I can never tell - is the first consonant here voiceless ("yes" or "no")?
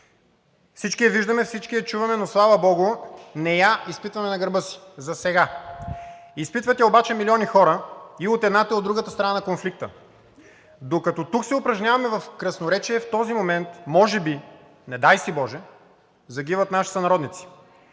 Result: yes